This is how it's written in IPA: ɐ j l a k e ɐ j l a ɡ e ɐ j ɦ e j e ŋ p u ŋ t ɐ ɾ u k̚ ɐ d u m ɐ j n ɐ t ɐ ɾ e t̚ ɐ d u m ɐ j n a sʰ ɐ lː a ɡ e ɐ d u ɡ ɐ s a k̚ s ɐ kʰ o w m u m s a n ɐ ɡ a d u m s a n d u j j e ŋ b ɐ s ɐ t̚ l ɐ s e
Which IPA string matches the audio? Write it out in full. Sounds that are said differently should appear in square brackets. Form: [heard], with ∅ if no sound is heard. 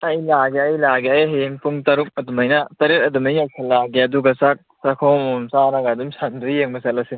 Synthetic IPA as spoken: ɐ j l a [ɡ] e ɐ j l a ɡ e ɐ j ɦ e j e ŋ p u ŋ t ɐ ɾ u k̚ ɐ d u m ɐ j n ɐ t ɐ ɾ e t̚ ɐ d u m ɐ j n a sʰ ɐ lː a ɡ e ɐ d u ɡ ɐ s a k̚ s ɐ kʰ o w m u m s a n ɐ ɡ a d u m s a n d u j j e ŋ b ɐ s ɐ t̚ l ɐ s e